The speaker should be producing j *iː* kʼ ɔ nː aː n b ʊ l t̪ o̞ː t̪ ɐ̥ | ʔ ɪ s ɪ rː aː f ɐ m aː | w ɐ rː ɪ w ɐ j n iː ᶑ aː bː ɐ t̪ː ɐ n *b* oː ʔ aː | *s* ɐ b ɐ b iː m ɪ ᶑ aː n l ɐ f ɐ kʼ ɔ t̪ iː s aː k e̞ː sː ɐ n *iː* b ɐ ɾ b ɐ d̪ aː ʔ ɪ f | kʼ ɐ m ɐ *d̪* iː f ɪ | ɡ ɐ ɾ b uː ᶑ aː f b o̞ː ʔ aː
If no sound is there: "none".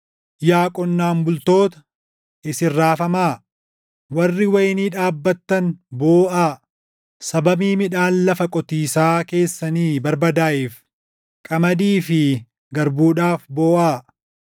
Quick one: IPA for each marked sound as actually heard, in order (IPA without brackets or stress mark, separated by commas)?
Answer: aː, b, s, iː, d̪